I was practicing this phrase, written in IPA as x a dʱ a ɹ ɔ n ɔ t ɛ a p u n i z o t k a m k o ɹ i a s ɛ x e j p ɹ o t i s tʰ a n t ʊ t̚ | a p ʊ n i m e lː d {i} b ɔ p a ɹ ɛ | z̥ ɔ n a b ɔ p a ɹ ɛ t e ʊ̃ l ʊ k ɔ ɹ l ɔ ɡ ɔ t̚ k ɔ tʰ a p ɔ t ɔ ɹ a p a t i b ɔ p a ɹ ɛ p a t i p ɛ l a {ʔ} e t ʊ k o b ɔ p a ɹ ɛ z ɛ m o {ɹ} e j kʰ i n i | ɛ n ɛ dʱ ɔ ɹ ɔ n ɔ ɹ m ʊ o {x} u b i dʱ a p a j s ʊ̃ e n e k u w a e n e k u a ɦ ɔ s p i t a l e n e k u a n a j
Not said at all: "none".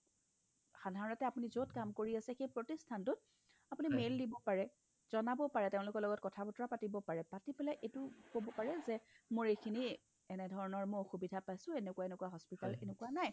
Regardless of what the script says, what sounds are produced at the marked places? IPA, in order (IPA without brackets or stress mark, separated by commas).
i, ʔ, ɹ, x